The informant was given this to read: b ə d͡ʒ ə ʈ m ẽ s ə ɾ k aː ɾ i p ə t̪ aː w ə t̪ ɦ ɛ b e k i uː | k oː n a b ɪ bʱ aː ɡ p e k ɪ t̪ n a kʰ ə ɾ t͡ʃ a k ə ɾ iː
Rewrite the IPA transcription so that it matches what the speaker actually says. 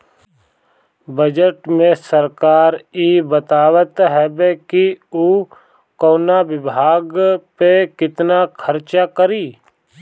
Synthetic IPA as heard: b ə d͡ʒ ə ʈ m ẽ s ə ɾ k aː ɾ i b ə t̪ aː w ə t̪ ɦ ɛ b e k i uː | k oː n a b ɪ bʱ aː ɡ p e k ɪ t̪ n a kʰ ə ɾ t͡ʃ a k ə ɾ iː

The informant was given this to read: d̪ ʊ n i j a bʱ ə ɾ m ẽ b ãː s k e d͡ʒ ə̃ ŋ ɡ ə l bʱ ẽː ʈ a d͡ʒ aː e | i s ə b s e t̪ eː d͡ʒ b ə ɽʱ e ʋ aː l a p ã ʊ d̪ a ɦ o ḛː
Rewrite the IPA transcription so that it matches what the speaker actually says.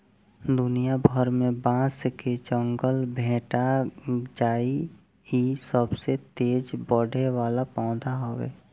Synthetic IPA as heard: d̪ ʊ n i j a bʱ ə ɾ m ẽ b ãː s k e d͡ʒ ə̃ ŋ ɡ ə l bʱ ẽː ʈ a d͡ʒ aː i | i s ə b s e t̪ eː d͡ʒ b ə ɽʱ e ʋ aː l a p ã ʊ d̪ a ɦ o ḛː

